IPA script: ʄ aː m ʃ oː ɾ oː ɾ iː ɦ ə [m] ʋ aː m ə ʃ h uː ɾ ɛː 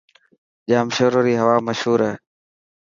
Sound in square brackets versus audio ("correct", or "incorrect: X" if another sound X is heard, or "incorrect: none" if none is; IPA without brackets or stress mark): incorrect: none